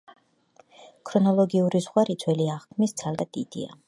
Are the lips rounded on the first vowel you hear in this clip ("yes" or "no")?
yes